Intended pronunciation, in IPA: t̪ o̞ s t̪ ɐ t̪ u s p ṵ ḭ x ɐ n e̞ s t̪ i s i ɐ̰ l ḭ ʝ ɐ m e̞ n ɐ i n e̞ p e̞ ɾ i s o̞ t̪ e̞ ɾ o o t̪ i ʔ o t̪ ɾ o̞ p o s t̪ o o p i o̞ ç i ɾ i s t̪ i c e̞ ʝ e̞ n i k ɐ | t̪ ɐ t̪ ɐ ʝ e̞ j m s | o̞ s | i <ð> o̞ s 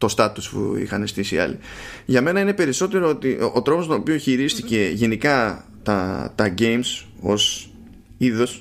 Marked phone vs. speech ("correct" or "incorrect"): correct